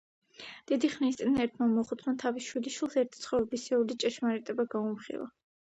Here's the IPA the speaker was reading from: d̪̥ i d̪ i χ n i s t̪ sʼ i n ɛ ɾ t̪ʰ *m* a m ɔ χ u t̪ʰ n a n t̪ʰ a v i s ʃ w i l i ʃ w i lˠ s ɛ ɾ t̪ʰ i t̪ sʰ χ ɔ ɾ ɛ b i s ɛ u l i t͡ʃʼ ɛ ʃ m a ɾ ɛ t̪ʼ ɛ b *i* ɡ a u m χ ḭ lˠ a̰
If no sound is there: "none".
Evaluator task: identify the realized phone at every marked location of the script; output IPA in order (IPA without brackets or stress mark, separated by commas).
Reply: m, a